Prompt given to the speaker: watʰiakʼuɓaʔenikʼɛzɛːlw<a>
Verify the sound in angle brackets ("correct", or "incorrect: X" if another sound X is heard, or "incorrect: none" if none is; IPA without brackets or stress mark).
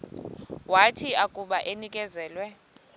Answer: incorrect: ɛ